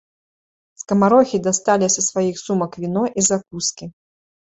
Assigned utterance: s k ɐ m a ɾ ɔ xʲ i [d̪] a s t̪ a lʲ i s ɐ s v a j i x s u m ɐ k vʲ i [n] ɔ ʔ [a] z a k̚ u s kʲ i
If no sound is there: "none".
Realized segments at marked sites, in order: d̪, n, i

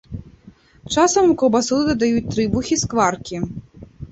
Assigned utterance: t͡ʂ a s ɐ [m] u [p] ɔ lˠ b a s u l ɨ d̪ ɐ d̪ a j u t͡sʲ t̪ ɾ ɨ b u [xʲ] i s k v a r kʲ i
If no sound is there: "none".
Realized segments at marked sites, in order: m, k, xʲ

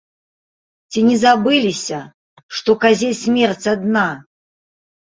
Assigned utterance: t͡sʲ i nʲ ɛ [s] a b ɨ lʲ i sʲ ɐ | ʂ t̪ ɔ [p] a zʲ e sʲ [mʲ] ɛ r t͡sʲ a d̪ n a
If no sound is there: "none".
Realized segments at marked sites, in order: z, k, mʲ

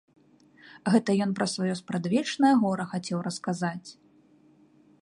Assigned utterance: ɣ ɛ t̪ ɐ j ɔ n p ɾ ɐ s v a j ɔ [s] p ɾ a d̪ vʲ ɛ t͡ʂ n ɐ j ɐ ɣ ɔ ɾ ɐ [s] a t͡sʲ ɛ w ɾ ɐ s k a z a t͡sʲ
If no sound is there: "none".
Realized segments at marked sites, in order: s, x

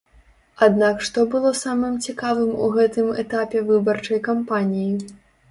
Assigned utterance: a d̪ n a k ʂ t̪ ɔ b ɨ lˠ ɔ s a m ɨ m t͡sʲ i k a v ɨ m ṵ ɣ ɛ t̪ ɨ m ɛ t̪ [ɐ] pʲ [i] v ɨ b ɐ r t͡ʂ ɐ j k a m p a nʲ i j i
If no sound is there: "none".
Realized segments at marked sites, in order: a, ɛ

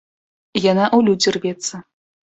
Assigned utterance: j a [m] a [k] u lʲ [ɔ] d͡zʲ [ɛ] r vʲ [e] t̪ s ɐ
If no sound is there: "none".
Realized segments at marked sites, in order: n, ʔ, u, i, ɛ

